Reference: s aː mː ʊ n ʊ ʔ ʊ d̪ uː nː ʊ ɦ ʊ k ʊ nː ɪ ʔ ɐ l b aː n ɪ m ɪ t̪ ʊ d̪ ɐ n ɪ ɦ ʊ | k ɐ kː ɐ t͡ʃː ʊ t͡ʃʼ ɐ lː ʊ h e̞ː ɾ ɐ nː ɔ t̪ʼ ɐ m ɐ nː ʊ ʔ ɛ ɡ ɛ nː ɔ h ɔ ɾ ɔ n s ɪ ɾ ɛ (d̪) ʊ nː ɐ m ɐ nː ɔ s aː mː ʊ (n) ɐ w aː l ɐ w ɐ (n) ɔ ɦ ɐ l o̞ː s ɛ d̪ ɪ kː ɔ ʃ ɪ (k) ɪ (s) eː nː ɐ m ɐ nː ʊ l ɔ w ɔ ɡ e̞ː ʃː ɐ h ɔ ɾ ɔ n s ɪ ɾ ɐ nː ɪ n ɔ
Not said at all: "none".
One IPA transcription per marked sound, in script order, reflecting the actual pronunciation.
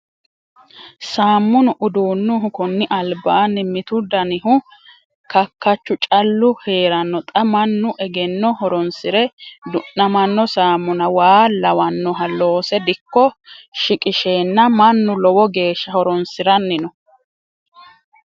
d̪, n, nː, kʼ, ʃ

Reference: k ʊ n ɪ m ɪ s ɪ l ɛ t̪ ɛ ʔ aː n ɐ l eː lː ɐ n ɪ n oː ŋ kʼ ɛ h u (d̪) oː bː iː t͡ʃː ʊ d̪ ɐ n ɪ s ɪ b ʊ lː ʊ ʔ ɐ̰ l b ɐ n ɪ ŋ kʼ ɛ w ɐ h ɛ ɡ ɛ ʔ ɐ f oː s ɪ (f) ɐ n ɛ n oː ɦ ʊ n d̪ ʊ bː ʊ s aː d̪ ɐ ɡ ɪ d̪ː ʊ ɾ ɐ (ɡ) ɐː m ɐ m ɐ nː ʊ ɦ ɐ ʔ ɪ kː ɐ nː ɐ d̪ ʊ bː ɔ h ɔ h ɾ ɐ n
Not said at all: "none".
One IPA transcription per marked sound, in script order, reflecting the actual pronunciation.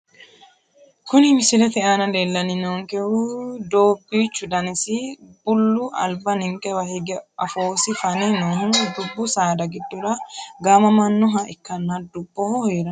d̪, f, ɡ

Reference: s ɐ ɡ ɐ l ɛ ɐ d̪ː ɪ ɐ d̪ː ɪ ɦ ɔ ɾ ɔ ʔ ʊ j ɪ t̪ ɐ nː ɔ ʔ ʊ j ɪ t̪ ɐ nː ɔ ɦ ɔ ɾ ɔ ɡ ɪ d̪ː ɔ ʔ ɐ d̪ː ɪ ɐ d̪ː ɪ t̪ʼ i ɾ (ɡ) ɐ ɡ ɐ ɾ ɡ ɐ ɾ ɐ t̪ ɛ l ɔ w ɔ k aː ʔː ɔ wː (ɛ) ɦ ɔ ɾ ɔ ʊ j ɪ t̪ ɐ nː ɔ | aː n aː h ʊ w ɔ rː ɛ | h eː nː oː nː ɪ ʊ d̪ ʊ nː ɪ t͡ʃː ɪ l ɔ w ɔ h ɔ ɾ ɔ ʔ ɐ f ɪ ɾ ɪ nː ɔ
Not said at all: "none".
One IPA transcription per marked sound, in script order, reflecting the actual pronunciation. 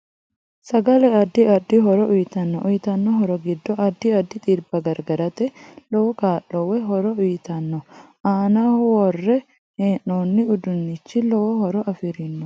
b, ɛ

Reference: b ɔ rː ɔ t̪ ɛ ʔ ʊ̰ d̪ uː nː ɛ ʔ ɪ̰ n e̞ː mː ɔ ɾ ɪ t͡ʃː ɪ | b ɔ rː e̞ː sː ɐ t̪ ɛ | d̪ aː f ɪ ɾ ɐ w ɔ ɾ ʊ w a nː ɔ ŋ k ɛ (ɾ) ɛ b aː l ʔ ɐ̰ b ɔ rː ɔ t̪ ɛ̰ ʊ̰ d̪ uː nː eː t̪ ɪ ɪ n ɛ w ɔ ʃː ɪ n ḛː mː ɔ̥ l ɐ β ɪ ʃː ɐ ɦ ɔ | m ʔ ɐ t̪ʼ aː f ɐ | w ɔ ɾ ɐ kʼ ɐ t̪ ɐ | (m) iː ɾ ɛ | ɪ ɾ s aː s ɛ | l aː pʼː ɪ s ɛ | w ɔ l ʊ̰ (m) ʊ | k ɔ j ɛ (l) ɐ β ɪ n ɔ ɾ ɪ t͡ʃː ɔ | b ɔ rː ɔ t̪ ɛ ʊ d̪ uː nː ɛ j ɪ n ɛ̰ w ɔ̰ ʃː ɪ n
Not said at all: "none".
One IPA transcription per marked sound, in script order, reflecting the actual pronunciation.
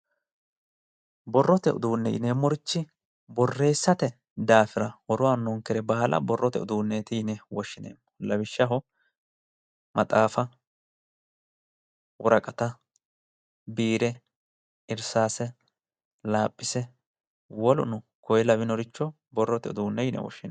ɾ, b, n, l

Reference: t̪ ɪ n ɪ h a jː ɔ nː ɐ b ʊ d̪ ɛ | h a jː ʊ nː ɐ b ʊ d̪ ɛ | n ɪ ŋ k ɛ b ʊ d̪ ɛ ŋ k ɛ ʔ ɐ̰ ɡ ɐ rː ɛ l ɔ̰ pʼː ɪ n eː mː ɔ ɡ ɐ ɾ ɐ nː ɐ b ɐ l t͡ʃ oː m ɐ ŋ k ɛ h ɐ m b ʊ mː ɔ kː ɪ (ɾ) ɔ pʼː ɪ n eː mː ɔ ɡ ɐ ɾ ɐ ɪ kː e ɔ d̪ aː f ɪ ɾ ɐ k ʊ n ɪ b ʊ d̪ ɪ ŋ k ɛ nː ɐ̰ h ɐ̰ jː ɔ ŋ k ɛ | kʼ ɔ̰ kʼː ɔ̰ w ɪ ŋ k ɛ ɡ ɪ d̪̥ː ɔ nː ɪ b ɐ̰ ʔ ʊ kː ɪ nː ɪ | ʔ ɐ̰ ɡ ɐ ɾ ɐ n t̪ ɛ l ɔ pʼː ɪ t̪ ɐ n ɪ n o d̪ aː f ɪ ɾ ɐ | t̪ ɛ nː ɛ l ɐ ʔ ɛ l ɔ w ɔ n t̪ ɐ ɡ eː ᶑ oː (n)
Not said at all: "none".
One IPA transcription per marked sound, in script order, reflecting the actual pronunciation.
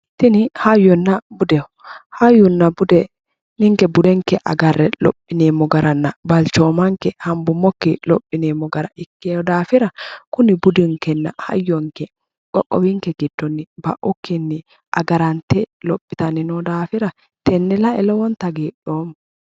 l, m

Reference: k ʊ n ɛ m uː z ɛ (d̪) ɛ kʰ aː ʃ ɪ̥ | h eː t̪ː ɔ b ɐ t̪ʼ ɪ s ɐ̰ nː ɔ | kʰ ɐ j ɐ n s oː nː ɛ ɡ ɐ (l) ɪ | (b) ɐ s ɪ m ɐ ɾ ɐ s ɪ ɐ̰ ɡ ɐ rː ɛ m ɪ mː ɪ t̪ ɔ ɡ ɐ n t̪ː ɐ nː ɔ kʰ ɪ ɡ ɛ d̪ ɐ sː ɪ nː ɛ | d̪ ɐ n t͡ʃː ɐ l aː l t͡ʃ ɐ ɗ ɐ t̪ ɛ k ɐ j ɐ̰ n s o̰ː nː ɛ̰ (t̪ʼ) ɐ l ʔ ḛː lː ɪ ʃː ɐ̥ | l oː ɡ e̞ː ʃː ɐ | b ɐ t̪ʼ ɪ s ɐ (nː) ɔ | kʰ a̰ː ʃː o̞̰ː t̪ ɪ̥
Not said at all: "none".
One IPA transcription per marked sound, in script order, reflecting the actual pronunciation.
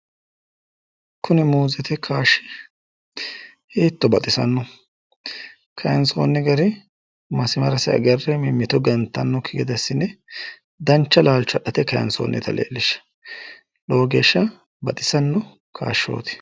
t̪, ɾ, m, t̪, nː

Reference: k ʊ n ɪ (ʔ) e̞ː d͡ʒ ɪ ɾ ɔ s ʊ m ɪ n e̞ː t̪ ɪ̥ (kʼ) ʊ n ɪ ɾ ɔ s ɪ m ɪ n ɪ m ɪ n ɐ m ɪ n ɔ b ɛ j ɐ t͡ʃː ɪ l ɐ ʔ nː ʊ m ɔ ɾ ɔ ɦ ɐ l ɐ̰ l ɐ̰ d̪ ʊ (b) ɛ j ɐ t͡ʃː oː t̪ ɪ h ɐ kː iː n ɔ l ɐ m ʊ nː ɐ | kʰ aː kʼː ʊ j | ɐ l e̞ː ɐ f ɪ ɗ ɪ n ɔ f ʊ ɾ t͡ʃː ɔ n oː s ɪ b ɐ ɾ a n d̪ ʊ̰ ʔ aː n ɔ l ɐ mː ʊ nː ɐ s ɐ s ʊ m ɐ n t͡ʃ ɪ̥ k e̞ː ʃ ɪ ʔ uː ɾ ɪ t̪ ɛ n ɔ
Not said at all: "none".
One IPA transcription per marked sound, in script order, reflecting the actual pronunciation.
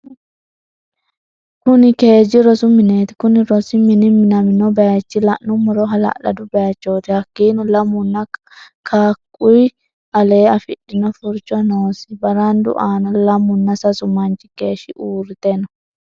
k, k, b

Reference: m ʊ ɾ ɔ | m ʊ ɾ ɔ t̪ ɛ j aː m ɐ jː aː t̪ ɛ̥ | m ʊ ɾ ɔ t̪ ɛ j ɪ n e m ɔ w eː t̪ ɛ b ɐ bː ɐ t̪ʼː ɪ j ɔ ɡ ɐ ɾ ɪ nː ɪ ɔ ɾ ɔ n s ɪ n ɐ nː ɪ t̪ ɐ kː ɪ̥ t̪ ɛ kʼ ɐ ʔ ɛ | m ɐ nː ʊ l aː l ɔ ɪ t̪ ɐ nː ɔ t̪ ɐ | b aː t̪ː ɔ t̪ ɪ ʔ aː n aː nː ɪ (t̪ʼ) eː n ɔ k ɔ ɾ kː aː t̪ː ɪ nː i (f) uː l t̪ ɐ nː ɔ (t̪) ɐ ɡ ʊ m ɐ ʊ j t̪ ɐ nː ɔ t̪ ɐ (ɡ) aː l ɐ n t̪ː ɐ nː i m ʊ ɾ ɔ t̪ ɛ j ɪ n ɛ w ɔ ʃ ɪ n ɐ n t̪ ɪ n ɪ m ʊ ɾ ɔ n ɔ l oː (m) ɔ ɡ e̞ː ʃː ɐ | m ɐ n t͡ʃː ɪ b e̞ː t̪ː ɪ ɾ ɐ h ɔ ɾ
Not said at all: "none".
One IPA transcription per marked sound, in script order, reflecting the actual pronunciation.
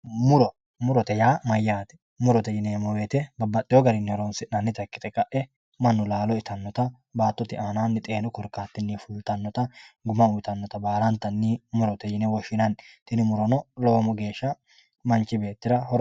t̪ʼ, f, t̪, b, m

